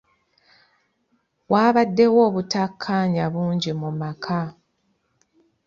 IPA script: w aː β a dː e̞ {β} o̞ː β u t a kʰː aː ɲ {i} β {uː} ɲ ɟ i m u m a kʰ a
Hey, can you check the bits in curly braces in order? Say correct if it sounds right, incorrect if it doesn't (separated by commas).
incorrect, incorrect, correct